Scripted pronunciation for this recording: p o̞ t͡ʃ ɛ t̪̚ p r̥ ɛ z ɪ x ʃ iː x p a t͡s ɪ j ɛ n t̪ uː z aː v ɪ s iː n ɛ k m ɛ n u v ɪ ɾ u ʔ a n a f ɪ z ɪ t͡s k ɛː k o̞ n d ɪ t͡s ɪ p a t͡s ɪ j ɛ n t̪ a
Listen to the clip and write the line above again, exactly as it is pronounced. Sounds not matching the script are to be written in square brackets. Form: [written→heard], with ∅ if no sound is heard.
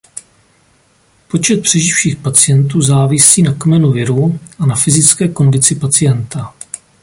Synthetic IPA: p o̞ t͡ʃ ɛ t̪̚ p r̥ ɛ [z→ʒ] ɪ [x→f] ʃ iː x p a t͡s ɪ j ɛ n t̪ uː z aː v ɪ s iː n [ɛ→a] k m ɛ n u v ɪ ɾ u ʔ a n a f ɪ z ɪ t͡s k ɛː k o̞ n d ɪ t͡s ɪ p a t͡s ɪ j ɛ n t̪ a